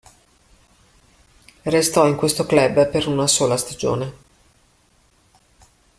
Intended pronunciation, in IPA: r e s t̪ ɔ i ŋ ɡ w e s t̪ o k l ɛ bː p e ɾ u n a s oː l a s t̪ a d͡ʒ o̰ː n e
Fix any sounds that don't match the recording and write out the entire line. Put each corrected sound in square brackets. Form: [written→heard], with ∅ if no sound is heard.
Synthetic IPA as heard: r e s t̪ ɔ i ŋ [ɡ→k] w e s t̪ o k l ɛ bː p e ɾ u n a s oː l a s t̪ a d͡ʒ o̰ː n e

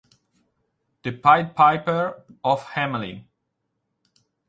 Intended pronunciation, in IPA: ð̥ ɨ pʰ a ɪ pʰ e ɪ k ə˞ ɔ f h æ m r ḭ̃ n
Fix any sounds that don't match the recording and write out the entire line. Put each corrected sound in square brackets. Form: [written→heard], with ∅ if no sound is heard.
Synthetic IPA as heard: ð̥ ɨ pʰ a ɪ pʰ [e→a] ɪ [k→p] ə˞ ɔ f h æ m [r→l] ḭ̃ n

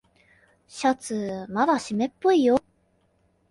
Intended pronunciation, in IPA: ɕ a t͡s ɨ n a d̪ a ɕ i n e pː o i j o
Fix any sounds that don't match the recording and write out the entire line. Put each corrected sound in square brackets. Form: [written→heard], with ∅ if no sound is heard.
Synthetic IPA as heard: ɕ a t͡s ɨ [n→m] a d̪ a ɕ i [n→m] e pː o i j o

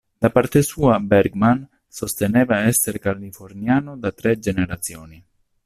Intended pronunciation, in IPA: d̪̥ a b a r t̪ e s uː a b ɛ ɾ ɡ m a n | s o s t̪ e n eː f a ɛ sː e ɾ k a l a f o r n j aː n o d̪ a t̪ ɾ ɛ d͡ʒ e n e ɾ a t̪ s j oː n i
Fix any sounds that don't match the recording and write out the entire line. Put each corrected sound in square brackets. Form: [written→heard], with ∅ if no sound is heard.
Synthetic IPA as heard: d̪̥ a [b→p] a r t̪ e s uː a b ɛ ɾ ɡ m a n | s o s t̪ e n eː [f→v] a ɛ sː e ɾ k a l [a→i] f o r n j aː n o d̪ a t̪ ɾ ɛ d͡ʒ e n e ɾ a t̪ s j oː n i

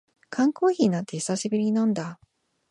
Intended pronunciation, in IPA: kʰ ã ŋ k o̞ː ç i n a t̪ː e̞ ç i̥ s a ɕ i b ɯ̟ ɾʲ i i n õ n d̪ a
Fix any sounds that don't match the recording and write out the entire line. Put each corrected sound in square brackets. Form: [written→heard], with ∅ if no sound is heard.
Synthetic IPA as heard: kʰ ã ŋ k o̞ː ç i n a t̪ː e̞ ç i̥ s a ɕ i b ɯ̟ ɾʲ i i n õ n d̪ a

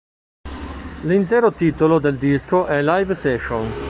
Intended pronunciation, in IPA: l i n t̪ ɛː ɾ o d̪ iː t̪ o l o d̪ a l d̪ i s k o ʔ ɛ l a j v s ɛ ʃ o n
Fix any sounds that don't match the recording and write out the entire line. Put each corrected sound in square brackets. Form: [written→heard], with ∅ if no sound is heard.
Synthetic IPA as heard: l i n t̪ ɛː ɾ o [d̪→t̪] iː t̪ o l o d̪ [a→e] l d̪ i s k o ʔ ɛ l a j v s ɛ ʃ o n

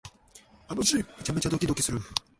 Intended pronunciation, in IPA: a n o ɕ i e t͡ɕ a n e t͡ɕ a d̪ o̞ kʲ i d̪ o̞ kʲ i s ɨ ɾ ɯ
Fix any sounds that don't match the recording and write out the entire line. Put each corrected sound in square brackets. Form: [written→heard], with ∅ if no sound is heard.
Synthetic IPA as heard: a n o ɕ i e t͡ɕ a [n→m] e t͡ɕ a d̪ o̞ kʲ i d̪ o̞ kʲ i s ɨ ɾ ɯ

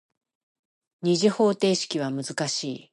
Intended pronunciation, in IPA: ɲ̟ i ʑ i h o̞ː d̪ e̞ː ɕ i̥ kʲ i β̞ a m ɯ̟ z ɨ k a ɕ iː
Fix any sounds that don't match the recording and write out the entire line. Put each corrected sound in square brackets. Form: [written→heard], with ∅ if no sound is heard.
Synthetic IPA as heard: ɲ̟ i ʑ i h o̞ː [d̪→t̪] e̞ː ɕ i̥ kʲ i β̞ a m ɯ̟ z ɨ k a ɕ iː

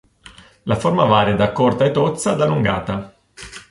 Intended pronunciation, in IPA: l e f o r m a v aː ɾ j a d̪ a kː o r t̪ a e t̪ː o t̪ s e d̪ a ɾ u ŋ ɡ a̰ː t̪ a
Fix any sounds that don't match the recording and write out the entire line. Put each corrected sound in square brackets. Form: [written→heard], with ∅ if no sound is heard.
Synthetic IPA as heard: l [e→a] f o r m a v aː ɾ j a d̪ a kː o r t̪ a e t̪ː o t̪ s [e→a] d̪ a [ɾ→l] u ŋ ɡ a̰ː t̪ a

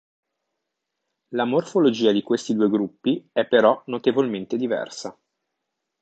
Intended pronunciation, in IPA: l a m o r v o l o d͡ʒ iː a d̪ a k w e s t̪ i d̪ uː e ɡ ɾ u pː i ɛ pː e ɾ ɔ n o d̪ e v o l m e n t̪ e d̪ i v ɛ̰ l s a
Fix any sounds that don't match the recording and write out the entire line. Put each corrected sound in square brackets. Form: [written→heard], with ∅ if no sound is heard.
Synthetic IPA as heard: l a m o r [v→f] o l o d͡ʒ iː a d̪ [a→i] k w e s t̪ i d̪ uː e ɡ ɾ u pː i ɛ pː e ɾ ɔ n o [d̪→t̪] e v o l m e n t̪ e d̪ i v ɛ̰ [l→r] s a

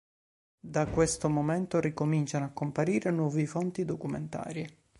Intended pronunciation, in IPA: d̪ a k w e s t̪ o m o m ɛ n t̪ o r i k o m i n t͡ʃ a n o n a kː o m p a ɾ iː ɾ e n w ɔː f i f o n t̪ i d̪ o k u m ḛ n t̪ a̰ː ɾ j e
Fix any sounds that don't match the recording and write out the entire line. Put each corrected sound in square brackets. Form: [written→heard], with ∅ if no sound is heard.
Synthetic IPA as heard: d̪ a k w e s t̪ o m o m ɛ n t̪ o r i k o m i n t͡ʃ a n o [n→∅] a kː o m p a ɾ iː ɾ e n w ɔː [f→v] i f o n t̪ i d̪ o k u m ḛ n t̪ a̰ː ɾ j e

